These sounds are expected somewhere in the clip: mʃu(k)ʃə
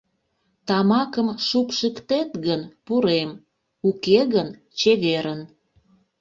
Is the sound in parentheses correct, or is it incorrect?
incorrect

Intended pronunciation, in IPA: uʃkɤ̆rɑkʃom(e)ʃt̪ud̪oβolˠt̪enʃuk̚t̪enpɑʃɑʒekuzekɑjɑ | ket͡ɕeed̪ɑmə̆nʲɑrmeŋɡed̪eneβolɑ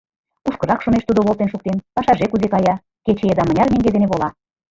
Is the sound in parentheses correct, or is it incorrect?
correct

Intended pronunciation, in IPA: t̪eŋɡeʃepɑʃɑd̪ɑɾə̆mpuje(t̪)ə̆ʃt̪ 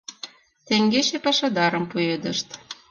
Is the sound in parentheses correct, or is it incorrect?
incorrect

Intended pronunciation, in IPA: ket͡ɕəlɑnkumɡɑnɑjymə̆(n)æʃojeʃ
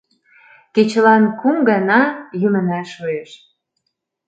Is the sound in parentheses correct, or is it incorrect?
correct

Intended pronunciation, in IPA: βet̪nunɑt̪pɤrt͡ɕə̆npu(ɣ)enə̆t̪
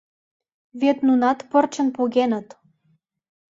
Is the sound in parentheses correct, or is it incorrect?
correct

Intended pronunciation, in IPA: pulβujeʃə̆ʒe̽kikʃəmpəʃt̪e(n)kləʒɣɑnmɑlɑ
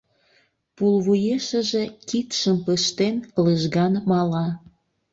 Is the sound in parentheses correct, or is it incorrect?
correct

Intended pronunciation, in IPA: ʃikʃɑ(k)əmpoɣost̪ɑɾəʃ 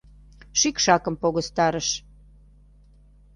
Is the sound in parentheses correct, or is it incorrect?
correct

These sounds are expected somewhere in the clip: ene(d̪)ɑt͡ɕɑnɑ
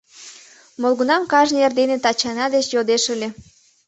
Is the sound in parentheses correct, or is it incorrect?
incorrect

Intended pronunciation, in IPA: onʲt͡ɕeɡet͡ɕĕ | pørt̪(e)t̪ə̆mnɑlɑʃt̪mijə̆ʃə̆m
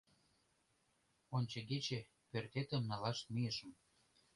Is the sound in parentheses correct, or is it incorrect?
correct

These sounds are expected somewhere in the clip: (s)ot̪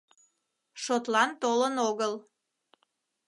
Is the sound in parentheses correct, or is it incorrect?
incorrect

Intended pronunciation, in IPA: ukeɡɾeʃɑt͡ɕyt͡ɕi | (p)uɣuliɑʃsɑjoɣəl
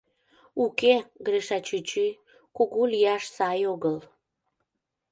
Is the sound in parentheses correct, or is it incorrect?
incorrect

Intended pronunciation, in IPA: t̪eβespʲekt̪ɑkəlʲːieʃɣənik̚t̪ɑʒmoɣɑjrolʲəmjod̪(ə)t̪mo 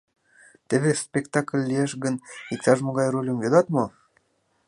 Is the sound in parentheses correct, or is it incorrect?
incorrect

